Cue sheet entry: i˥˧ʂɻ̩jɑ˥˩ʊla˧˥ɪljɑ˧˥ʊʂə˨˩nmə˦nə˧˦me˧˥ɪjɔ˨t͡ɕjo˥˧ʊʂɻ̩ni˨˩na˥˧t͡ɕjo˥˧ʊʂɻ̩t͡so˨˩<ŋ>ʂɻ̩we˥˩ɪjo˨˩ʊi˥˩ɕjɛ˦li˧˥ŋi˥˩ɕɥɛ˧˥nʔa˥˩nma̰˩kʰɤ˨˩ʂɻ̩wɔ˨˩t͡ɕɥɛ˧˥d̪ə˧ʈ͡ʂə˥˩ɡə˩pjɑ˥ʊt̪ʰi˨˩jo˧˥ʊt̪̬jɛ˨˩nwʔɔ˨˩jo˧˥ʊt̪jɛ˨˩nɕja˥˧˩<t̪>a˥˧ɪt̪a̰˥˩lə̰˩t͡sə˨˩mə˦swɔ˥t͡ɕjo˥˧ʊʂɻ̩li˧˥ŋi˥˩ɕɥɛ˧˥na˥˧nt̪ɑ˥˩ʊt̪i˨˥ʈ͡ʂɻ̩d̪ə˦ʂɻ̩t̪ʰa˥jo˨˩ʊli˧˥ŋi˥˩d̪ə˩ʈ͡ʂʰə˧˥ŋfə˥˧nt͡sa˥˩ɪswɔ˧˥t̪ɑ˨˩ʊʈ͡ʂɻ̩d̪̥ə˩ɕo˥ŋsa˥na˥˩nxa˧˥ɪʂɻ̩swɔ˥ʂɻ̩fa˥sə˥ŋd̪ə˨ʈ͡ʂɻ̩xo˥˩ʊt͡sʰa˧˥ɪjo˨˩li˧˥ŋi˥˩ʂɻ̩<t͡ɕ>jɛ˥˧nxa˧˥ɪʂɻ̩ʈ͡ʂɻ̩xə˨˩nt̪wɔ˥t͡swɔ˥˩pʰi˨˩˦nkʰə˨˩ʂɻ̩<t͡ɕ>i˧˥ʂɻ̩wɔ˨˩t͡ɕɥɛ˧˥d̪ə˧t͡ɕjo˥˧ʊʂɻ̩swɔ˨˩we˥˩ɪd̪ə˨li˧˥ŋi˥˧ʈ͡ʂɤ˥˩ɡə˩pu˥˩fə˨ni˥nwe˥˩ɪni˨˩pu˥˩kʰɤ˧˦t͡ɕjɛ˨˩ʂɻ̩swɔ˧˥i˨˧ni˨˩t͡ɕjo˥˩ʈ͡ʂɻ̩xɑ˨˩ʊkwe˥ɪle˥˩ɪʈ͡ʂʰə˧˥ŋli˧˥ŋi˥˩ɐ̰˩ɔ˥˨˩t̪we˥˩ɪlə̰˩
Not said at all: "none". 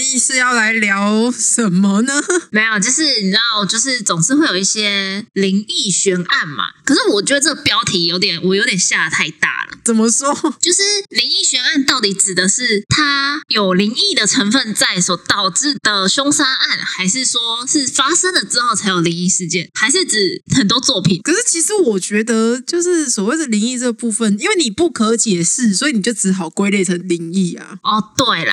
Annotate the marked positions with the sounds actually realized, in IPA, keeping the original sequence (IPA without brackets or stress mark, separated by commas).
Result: ŋ, t̪ʰ, t͡ɕ, t͡ɕʰ